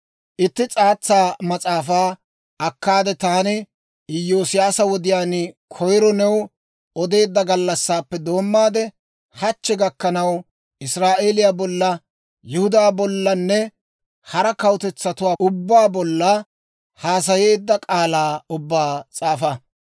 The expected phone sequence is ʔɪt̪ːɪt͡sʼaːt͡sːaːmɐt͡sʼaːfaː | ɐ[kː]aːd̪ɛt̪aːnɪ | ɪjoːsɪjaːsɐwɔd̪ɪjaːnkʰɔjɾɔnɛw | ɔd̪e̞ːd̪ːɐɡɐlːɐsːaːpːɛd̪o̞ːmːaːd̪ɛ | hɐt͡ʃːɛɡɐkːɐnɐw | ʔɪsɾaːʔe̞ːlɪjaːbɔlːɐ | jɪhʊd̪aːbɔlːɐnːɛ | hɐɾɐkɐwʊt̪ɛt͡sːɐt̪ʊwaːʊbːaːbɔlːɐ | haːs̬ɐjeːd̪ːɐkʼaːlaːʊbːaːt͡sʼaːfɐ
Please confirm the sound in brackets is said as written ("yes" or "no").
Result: yes